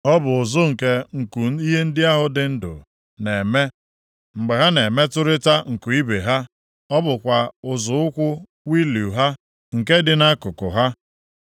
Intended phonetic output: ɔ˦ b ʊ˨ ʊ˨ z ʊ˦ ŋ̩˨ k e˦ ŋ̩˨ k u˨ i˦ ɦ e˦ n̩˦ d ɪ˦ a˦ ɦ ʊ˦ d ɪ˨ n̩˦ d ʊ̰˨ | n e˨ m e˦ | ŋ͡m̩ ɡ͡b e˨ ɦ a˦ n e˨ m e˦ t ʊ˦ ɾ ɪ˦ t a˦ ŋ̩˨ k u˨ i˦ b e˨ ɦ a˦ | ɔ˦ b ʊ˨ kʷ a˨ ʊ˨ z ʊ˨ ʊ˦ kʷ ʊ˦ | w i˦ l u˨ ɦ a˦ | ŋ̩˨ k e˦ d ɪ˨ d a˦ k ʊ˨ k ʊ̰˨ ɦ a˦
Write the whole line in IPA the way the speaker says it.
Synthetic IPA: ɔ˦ b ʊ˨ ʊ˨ z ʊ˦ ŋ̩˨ k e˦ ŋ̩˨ k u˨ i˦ ɦ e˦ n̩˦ d ɪ˦ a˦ ɦ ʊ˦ d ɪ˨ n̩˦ d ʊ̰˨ | n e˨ m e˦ | ŋ͡m̩ ɡ͡b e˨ ɦ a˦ n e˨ m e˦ t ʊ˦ ɾ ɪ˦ t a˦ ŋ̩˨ k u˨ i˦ b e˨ ɦ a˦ | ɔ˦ b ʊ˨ kʷ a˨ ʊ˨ z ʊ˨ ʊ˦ kʷ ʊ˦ | w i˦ l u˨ ɦ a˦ | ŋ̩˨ k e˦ d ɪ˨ n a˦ k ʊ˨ k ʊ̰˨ ɦ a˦

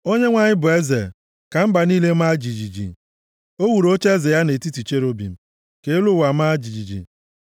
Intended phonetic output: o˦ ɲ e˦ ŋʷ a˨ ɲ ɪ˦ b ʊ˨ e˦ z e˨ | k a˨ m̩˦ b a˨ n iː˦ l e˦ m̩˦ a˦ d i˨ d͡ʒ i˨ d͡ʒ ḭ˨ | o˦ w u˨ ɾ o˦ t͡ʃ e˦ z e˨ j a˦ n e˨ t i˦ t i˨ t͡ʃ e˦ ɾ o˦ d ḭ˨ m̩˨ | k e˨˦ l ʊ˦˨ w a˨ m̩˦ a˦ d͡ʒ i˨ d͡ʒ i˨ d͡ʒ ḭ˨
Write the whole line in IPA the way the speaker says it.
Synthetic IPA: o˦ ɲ e˦ ŋʷ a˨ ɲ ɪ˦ b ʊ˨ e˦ z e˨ | k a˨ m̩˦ b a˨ n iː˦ l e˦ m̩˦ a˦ d͡ʒ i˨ d͡ʒ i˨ d͡ʒ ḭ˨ | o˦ w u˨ ɾ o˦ t͡ʃ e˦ z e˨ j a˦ n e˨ t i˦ t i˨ t͡ʃ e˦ ɾ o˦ b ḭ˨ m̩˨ | k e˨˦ l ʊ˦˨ w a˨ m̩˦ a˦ d͡ʒ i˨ d͡ʒ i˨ d͡ʒ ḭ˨

